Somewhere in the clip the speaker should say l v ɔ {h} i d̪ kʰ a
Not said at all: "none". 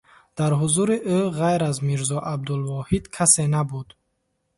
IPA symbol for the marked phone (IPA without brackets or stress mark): h